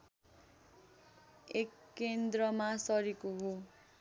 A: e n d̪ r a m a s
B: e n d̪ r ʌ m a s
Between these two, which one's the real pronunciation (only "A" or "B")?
B